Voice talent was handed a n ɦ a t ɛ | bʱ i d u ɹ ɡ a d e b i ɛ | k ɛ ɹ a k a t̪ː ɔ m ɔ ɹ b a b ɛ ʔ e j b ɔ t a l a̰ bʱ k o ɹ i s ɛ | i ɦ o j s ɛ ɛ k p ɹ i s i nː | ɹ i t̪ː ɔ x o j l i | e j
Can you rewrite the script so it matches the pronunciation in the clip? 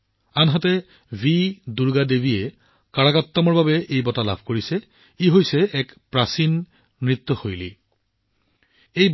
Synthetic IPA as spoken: a n ɦ a t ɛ | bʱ i d u ɹ ɡ a d e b i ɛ | k a ɹ a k a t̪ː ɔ m ɔ ɹ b a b ɛ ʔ e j b ɔ t a l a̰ bʱ k o ɹ i s ɛ | i ɦ o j s ɛ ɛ k p ɹ a s i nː | ɹ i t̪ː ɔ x o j l i | e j